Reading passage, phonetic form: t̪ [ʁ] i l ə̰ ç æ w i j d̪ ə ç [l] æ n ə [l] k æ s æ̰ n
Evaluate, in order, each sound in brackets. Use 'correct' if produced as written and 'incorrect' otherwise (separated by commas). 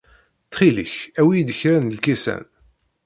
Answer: incorrect, incorrect, correct